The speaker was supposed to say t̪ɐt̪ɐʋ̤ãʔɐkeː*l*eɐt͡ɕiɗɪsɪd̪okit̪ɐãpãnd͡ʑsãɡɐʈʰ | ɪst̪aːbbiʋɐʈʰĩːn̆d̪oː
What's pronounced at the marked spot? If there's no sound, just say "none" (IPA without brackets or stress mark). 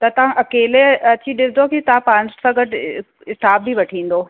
l